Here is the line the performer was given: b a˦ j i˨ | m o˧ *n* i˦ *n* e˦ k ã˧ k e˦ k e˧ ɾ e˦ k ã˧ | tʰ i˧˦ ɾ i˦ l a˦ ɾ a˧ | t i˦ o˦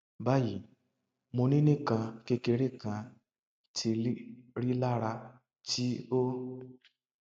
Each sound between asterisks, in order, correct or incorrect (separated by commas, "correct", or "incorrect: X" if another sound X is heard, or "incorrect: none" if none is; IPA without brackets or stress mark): correct, correct